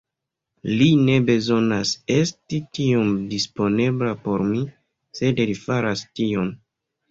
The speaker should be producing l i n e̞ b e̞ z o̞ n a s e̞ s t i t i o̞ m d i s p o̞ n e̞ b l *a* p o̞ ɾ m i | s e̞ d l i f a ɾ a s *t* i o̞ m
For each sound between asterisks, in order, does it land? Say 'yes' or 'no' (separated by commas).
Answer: yes, yes